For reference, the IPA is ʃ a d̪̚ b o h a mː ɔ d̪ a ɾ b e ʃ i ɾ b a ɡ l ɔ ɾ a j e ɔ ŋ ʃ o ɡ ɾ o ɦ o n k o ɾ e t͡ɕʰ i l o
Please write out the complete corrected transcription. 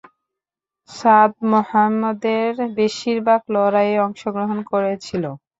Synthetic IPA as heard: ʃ a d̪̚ m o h a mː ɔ d̪ e ɾ b e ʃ i ɾ b a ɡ l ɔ ɾ a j e ɔ ŋ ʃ o ɡ ɾ o ɦ o n k o ɾ e t͡ɕʰ i l o